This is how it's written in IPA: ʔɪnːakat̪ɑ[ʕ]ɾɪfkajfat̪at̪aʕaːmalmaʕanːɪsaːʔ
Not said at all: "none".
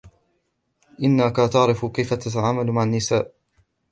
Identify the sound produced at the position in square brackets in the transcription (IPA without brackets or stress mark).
ʕ